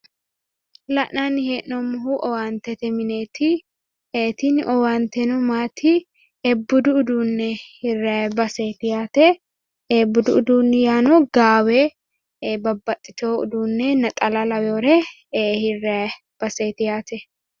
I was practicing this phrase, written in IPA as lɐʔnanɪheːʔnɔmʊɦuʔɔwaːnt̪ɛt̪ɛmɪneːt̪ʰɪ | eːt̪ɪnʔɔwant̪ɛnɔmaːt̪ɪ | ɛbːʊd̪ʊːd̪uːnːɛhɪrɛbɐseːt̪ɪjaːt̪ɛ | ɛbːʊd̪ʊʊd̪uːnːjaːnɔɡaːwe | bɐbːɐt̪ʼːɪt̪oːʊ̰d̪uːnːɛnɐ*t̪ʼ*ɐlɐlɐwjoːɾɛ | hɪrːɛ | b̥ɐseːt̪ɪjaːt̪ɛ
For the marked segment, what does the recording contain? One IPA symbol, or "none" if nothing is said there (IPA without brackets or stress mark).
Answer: t̪ʼ